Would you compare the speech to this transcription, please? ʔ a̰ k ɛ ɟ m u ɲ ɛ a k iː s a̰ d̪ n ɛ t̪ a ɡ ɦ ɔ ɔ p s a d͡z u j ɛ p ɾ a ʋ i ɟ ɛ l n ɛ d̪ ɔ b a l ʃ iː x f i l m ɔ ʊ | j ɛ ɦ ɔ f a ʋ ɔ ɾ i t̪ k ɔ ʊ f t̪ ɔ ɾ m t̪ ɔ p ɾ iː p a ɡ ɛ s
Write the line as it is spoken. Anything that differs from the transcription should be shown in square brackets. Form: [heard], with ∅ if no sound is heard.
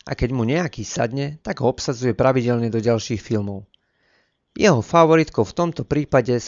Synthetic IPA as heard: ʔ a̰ k ɛ ɟ m u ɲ ɛ a k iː s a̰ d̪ [ɲ] ɛ t̪ a ɡ ɦ ɔ ɔ p s a d͡z u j ɛ p ɾ a ʋ i ɟ ɛ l [ɲ] ɛ d̪ ɔ [ɟ] a l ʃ iː x f i l m ɔ ʊ | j ɛ ɦ ɔ f a ʋ ɔ ɾ i t̪ k ɔ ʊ f t̪ ɔ [∅] m t̪ ɔ p ɾ iː p a [ɟ] ɛ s